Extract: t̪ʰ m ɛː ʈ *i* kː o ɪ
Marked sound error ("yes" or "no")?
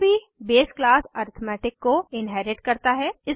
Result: yes